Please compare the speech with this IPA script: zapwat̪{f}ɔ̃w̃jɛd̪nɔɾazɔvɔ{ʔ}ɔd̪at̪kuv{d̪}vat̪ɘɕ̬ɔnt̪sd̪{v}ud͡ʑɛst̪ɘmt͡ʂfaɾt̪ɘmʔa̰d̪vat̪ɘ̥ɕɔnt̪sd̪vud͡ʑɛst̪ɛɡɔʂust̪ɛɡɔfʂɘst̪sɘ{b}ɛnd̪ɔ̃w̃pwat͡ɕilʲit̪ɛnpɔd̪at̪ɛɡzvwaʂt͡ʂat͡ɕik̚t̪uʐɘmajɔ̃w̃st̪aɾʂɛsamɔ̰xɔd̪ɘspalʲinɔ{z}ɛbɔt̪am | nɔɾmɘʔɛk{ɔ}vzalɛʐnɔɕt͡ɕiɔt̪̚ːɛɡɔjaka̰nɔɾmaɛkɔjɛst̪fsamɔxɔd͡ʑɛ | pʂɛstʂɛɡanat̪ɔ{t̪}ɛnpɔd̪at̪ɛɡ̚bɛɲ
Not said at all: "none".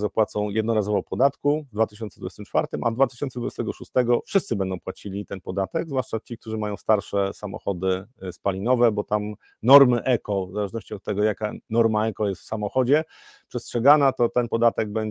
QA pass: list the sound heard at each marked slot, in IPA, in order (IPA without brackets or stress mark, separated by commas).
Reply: s, p, d̪, v, b, v, ɔ, t̪